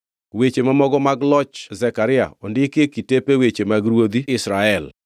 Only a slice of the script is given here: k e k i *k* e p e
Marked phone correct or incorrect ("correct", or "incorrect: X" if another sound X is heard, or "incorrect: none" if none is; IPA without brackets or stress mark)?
incorrect: t